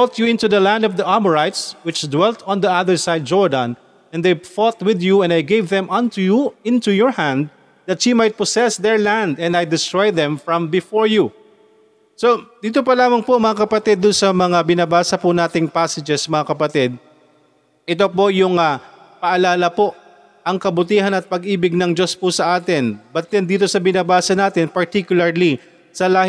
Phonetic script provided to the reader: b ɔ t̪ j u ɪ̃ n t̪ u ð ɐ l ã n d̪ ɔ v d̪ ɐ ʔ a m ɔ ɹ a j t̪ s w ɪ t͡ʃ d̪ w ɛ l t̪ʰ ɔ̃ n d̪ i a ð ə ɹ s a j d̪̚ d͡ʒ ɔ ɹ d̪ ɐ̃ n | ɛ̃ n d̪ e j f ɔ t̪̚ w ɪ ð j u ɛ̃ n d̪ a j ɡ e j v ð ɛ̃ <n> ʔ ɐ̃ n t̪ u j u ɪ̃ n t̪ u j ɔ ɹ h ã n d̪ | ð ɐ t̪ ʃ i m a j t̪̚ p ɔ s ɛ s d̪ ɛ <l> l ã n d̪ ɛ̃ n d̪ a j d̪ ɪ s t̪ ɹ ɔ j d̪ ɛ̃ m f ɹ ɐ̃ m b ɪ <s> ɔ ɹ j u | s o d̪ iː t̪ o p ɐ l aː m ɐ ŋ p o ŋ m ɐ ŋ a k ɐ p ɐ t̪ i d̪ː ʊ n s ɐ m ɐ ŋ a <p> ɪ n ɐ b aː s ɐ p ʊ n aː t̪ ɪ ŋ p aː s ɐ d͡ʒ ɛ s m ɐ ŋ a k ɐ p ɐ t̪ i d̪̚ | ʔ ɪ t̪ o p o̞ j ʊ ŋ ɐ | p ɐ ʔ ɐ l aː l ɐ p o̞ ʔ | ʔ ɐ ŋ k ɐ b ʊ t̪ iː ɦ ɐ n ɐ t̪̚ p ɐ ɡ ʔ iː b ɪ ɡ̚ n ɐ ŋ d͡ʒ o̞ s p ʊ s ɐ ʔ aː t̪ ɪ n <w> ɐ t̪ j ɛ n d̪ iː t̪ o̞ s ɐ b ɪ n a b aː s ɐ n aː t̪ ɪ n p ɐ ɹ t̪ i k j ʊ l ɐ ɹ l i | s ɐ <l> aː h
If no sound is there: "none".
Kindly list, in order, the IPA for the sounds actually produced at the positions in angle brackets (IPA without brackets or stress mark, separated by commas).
m, ɹ, f, b, b, l